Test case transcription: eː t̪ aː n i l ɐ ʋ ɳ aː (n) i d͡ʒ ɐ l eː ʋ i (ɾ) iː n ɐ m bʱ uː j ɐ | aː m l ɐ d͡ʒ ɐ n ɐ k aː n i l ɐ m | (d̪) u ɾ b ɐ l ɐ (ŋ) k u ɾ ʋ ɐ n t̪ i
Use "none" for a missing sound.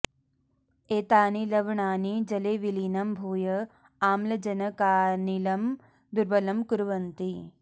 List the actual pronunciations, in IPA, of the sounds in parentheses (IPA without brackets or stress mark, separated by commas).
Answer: n, l, d̪, m